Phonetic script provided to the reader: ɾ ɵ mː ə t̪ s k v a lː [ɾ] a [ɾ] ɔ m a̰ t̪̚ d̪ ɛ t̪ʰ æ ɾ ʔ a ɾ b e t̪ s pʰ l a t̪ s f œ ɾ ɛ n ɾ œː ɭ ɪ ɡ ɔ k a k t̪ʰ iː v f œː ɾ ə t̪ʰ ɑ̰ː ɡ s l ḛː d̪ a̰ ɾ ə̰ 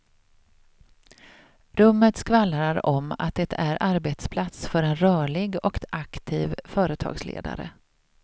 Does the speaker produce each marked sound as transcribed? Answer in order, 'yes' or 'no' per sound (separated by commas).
yes, yes